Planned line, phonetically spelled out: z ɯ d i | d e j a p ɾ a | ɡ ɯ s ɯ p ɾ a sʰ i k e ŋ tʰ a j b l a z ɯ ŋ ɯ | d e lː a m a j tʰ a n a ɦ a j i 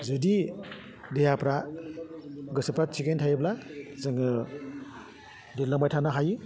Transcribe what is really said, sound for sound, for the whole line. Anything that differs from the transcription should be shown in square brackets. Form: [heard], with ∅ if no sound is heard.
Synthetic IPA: z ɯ d i | d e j a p ɾ a | ɡ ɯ s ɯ p ɾ a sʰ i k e [n] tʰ a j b l a z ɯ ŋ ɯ | d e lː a m a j tʰ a n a ɦ a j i